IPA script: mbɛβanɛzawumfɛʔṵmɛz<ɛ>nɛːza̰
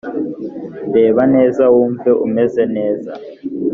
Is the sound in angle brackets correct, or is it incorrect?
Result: correct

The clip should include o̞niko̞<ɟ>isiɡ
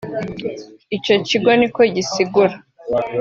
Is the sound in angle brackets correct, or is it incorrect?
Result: correct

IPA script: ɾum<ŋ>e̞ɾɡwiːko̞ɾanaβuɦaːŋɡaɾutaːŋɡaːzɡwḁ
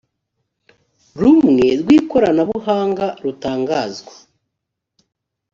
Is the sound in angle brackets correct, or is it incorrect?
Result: correct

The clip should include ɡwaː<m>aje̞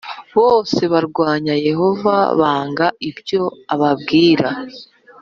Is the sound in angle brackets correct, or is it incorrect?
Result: incorrect: ɲ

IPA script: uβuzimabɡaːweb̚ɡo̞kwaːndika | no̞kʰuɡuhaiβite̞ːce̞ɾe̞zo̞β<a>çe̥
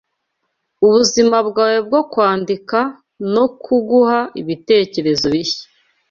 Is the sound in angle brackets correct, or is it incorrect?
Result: incorrect: i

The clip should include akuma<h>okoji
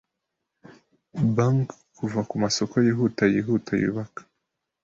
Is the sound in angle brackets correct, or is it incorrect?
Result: incorrect: s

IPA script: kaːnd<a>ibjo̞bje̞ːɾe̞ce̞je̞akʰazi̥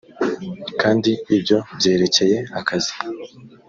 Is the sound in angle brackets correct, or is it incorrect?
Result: incorrect: i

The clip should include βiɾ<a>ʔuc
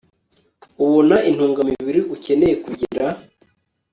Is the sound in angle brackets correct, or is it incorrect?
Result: incorrect: i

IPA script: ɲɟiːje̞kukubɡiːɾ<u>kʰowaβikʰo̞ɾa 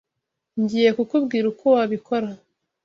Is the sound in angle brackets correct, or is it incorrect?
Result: correct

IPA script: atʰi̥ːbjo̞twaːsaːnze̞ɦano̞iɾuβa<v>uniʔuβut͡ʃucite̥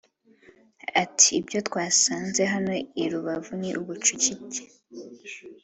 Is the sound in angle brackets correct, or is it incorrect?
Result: correct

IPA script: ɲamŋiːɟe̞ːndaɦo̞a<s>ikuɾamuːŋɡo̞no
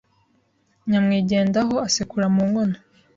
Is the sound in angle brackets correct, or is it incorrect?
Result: correct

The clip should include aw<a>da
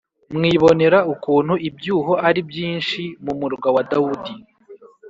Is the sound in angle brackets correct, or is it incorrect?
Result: correct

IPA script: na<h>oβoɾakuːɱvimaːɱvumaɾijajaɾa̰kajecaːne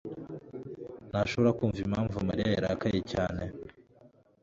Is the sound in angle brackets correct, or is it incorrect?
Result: incorrect: ʃ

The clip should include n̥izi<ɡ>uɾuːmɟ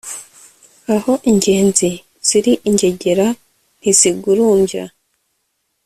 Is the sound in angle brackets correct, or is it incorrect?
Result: correct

